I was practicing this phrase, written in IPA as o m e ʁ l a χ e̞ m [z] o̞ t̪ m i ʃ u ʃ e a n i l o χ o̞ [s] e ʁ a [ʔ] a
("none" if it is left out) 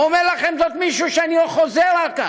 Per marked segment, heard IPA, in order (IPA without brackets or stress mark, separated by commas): z, z, k